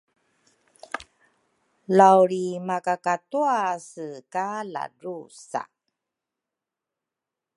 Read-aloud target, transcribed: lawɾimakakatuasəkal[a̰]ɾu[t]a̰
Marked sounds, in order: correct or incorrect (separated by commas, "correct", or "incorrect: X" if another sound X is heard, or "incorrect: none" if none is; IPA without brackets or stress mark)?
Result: correct, incorrect: s